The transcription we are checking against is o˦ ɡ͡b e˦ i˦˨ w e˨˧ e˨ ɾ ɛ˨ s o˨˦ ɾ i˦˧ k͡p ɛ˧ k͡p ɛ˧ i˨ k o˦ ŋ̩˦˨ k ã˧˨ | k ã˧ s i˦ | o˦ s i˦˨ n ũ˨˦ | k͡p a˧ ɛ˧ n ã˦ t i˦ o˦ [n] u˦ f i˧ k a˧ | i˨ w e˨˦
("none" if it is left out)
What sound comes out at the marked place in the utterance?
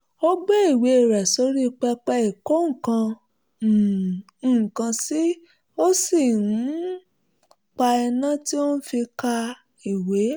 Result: n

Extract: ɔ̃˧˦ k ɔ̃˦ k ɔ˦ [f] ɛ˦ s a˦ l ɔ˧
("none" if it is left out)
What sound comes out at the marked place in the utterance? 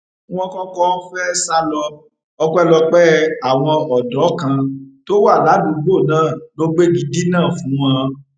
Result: f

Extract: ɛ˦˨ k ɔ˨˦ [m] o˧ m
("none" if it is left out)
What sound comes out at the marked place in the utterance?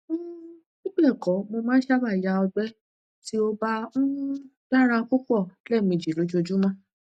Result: m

